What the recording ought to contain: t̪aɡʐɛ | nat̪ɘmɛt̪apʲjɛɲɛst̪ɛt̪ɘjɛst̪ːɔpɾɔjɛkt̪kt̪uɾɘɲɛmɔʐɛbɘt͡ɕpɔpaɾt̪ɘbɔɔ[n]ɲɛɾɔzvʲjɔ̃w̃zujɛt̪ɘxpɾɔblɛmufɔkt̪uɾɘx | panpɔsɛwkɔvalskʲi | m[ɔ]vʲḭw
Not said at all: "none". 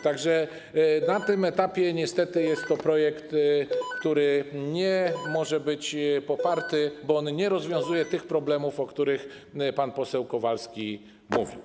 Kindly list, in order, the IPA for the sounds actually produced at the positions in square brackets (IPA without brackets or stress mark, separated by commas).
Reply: n, u